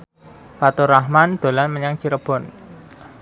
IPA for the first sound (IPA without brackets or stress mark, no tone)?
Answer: f